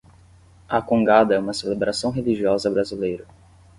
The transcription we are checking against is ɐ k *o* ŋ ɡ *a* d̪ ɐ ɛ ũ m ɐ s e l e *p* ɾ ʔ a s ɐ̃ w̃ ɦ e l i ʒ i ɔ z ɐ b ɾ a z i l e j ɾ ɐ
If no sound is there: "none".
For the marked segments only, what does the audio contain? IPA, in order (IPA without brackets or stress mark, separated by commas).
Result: õ, a, b